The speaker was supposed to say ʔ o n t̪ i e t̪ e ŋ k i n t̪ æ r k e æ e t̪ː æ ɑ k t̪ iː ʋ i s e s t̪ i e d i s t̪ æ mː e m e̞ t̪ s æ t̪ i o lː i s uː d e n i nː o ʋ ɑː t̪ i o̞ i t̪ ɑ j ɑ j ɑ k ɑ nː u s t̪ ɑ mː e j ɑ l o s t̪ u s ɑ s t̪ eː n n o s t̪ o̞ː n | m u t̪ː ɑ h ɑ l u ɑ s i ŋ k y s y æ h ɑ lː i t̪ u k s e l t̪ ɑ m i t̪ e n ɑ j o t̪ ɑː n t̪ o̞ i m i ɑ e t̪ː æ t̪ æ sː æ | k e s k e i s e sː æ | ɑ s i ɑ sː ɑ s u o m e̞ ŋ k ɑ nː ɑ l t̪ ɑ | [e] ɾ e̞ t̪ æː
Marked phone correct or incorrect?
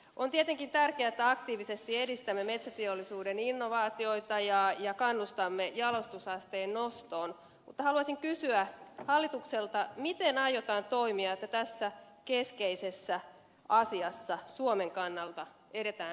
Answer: correct